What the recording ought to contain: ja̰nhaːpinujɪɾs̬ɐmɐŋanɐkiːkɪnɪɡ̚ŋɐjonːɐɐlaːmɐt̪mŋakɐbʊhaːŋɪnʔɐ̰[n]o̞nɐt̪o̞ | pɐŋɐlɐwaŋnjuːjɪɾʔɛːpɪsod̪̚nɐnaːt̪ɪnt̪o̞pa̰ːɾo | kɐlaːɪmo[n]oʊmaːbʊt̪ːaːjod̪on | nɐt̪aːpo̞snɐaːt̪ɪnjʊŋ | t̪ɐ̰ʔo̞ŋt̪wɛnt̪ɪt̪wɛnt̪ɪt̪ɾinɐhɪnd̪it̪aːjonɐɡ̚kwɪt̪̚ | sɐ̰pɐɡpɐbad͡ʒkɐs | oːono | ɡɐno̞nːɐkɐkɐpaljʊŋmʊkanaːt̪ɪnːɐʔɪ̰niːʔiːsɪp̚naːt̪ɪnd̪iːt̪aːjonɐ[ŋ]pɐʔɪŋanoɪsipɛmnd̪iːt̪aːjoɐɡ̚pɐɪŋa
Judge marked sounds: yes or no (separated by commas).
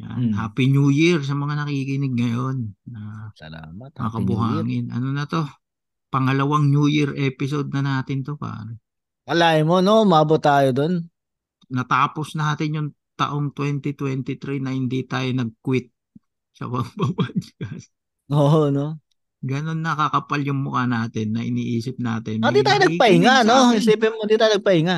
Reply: yes, yes, no